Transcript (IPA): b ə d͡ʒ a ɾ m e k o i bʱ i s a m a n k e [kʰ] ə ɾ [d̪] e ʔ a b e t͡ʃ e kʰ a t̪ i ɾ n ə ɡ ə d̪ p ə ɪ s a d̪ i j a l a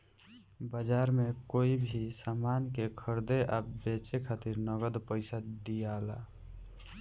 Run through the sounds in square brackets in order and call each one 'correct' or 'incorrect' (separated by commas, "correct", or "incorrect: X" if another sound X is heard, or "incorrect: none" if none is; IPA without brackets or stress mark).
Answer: correct, correct